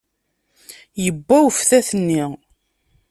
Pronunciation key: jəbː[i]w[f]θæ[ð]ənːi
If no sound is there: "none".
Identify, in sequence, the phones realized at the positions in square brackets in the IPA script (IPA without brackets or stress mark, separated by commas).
æ, f, θ